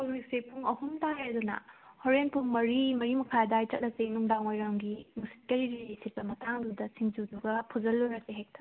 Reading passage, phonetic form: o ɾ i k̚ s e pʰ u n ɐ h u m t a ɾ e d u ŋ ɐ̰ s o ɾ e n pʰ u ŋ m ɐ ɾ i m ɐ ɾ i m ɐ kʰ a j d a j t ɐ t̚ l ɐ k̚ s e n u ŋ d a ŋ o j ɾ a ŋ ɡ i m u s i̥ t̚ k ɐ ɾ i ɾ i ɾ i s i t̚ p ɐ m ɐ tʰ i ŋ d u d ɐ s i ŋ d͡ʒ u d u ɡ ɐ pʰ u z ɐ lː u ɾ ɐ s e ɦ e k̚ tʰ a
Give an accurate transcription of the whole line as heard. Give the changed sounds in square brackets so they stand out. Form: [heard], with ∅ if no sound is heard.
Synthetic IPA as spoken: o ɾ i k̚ s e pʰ u [ŋ] ɐ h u m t a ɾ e d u [n] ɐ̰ [h] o ɾ e n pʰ u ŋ m ɐ ɾ i m ɐ ɾ i m ɐ kʰ a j d a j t ɐ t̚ l ɐ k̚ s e n u ŋ d a ŋ o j ɾ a ŋ ɡ i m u s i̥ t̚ k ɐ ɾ i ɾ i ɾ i s i t̚ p ɐ m ɐ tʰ [a] ŋ d u d ɐ s i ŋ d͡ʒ u d u ɡ ɐ pʰ u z ɐ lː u ɾ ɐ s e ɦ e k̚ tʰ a